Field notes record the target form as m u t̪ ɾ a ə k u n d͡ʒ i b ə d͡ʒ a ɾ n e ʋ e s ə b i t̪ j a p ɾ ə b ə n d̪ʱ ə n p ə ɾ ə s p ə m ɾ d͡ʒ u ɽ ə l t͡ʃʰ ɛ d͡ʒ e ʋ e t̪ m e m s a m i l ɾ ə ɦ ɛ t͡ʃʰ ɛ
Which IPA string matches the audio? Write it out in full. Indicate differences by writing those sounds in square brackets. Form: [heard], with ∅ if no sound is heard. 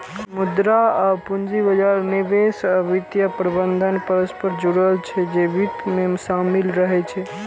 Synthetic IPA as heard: m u [d̪] ɾ a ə [p] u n d͡ʒ i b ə d͡ʒ a ɾ n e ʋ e s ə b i t̪ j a p ɾ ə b ə n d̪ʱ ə n p ə ɾ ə s p ə [∅] ɾ d͡ʒ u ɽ ə l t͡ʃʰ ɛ d͡ʒ e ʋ [i] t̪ m e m s a m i l ɾ ə ɦ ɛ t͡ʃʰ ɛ